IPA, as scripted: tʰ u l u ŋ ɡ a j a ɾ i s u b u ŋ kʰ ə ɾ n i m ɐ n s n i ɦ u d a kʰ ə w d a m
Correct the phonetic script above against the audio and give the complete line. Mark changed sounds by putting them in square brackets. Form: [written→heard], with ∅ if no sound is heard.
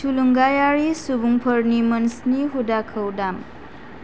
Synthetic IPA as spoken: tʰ u l u ŋ ɡ a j a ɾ i s u b u ŋ [kʰ→pʰ] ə ɾ n i m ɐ n s n i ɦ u d a kʰ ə w d a m